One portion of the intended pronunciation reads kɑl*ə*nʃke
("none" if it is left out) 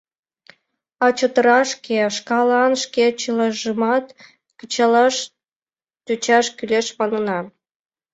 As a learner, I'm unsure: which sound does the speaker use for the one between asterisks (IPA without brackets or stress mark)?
ɑ